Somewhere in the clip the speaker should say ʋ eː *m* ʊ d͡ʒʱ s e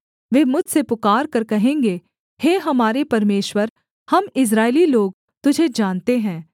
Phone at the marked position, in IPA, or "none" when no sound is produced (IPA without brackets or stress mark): m